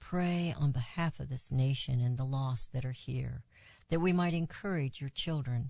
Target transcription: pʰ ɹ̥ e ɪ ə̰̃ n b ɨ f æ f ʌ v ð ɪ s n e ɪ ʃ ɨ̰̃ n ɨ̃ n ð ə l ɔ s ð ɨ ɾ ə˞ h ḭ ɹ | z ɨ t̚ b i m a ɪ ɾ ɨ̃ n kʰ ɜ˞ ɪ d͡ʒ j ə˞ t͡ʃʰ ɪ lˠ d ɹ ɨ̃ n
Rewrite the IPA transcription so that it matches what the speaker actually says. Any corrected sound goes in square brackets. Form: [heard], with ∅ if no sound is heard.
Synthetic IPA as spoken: pʰ ɹ̥ e ɪ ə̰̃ n b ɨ [h] æ f ʌ v ð ɪ s n e ɪ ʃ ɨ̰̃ n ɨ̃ n ð ə l ɔ s ð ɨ ɾ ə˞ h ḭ ɹ | [ð] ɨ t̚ [w] i m a ɪ ɾ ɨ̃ n kʰ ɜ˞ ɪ d͡ʒ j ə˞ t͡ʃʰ ɪ lˠ d ɹ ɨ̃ n